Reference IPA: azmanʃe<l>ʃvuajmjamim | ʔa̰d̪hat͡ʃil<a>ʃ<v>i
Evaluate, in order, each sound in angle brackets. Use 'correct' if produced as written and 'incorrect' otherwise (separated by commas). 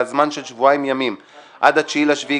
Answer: correct, correct, correct